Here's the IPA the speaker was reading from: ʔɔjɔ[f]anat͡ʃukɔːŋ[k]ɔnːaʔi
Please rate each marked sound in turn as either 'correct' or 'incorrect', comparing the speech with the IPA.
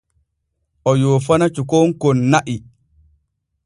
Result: correct, correct

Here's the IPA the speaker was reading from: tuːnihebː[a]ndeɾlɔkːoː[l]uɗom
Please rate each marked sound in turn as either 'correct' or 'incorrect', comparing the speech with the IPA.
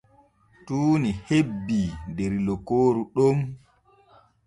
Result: incorrect: i, incorrect: ɾ

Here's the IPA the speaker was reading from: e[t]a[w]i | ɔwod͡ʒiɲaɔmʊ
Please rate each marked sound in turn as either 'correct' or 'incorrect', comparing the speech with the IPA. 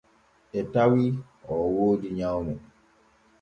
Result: correct, correct

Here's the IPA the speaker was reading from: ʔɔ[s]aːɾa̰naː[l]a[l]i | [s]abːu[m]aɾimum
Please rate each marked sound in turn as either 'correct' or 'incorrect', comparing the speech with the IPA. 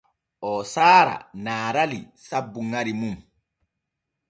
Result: correct, incorrect: ɾ, correct, correct, incorrect: ŋ

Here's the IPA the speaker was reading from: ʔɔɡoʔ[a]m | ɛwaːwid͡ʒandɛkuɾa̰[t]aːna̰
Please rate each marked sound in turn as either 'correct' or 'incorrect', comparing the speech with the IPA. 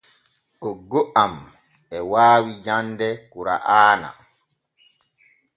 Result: correct, incorrect: ʔ

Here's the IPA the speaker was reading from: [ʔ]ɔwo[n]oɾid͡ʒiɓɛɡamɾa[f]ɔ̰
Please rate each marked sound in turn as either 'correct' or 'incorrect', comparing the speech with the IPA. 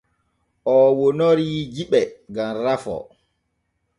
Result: correct, correct, correct

